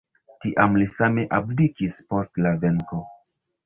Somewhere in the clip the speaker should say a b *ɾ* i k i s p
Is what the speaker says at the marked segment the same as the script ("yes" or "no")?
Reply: no